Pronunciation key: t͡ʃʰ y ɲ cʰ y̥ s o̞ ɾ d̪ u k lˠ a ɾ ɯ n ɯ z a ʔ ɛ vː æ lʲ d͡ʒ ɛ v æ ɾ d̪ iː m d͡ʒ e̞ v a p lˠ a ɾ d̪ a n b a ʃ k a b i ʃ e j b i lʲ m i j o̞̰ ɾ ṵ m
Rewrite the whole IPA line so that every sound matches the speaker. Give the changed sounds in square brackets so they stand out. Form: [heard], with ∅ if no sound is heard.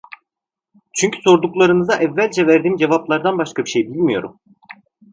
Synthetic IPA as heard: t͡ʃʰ y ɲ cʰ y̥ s o̞ ɾ d̪ u k lˠ a ɾ ɯ n ɯ z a ʔ ɛ vː æ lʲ d͡ʒ ɛ v æ ɾ d̪ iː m d͡ʒ e̞ v a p lˠ a ɾ d̪ a n b a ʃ k a b i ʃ e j b i lʲ m i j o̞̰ ɾ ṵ m